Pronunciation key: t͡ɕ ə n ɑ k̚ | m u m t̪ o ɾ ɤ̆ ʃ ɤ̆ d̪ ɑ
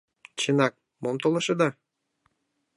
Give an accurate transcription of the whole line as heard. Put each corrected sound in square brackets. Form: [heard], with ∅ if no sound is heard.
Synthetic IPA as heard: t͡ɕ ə n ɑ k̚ | m [o] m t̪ o [l] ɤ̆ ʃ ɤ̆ d̪ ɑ